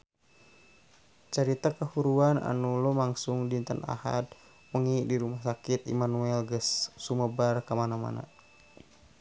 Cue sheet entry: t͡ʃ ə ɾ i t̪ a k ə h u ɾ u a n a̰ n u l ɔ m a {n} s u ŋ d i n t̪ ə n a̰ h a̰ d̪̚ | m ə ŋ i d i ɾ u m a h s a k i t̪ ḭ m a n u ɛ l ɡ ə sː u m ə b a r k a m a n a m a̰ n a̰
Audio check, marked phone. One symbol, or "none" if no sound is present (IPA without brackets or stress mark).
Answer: ŋ